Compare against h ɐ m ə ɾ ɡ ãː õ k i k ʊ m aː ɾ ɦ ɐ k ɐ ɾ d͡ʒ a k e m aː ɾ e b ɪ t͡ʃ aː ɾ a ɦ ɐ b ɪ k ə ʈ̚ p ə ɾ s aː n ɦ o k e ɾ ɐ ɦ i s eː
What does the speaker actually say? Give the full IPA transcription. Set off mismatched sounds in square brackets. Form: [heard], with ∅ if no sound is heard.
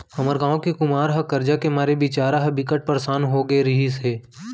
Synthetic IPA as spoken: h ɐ m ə ɾ ɡ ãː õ k i k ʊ m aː ɾ ɦ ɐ k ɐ ɾ d͡ʒ a k e m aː ɾ e b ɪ t͡ʃ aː ɾ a ɦ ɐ b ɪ k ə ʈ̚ p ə ɾ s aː n ɦ o [ɡ] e ɾ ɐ ɦ i s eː